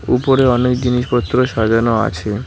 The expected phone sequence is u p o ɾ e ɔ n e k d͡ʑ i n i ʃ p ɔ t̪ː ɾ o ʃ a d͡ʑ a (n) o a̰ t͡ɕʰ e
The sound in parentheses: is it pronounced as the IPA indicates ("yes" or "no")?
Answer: yes